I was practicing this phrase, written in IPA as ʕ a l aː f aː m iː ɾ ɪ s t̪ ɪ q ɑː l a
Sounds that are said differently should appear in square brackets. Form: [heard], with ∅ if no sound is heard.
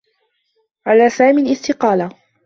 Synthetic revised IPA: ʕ a l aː [s] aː m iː [l] ɪ s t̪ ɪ q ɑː l a